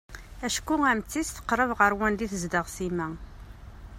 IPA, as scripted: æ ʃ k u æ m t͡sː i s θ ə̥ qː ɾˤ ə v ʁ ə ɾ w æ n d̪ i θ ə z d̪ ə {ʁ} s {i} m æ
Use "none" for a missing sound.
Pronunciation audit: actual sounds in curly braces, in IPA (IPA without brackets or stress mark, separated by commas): ʁ, i